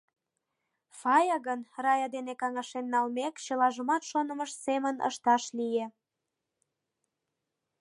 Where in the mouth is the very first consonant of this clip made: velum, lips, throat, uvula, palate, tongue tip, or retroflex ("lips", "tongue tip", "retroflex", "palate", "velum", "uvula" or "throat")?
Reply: lips